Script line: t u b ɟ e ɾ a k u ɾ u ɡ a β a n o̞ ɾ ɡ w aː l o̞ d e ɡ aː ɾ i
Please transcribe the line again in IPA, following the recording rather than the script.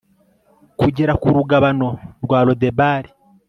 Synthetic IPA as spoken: k u ɟ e ɾ a k u ɾ u ɡ a β a n o̞ ɾ ɡ w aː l o̞ d e b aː ɾ i